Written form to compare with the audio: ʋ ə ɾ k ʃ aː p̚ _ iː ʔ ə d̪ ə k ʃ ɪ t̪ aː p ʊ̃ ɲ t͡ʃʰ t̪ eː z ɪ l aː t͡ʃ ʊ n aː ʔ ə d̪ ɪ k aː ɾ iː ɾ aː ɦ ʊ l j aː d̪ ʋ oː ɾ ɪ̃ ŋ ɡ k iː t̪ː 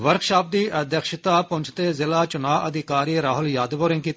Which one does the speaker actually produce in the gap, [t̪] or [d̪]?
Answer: d̪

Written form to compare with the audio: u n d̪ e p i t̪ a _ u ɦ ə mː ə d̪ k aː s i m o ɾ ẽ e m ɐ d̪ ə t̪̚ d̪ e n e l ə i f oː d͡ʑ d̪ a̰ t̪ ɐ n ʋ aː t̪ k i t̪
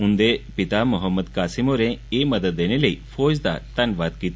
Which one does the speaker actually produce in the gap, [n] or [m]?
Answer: m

